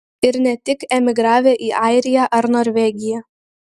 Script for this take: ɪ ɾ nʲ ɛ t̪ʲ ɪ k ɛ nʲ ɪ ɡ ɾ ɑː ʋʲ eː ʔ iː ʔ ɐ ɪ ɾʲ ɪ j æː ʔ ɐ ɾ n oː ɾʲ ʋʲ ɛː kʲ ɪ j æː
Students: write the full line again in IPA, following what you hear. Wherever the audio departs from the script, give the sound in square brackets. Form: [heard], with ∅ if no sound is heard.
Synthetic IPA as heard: ɪ ɾ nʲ ɛ t̪ʲ ɪ k ɛ [mʲ] ɪ ɡ ɾ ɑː ʋʲ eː ʔ iː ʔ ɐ ɪ ɾʲ ɪ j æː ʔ ɐ ɾ n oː ɾʲ ʋʲ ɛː [ɡʲ] ɪ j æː